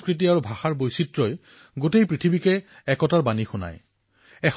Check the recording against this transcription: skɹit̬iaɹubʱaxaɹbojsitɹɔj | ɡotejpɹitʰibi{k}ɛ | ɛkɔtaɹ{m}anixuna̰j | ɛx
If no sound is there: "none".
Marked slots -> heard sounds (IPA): k, b

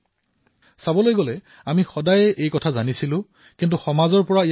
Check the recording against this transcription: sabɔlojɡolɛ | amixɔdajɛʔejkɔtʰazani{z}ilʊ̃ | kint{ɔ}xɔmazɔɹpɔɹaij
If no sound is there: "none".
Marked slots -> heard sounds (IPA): s, u

